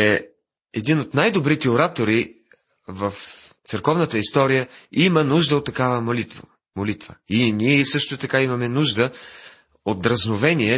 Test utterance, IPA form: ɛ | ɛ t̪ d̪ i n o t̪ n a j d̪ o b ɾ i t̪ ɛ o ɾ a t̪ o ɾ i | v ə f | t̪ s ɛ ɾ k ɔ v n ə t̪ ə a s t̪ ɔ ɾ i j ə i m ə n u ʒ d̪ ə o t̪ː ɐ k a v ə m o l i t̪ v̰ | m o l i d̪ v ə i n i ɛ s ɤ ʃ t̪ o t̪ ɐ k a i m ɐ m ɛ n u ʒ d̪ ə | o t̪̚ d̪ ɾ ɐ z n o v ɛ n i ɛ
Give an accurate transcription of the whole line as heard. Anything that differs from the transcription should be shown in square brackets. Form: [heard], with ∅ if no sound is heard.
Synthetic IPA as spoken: ɛ | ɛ [∅] d̪ i n o t̪ n a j d̪ o b ɾ i t̪ ɛ o ɾ a t̪ o ɾ i | v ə f | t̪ s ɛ ɾ k ɔ v n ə t̪ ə [i] s t̪ ɔ ɾ i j ə i m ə n u ʒ d̪ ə o t̪ː ɐ k a v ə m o l i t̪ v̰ | m o l i [t̪] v ə i n i ɛ s ɤ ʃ t̪ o t̪ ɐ k a i m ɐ m ɛ n u ʒ d̪ ə | o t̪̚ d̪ ɾ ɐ z n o v ɛ n i ɛ